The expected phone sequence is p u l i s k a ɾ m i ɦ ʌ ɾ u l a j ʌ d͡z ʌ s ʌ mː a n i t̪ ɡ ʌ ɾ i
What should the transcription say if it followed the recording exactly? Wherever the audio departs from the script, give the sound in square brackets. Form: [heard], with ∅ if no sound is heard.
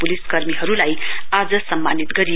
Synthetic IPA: p u l i s k [ʌ] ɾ m i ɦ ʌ ɾ u l a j [a] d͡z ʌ s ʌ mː a n i t̪ ɡ ʌ ɾ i